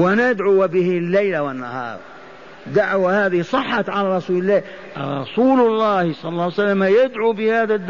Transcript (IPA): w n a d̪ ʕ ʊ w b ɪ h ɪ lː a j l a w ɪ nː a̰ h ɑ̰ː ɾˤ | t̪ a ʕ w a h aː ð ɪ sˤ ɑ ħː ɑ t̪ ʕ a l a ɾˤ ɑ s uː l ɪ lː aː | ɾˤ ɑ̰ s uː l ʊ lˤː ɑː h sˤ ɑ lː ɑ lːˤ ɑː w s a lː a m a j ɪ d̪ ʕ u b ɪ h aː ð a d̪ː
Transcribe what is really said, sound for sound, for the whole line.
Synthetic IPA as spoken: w n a d̪ ʕ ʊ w b ɪ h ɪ lː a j l a w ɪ nː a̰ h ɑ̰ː ɾˤ | d̪ a ʕ w a h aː ð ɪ sˤ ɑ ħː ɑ t̪ ʕ a l a ɾˤ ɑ s uː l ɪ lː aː | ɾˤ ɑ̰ s uː l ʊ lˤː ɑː h sˤ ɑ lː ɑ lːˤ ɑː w s a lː a m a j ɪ d̪ ʕ u b ɪ h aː ð a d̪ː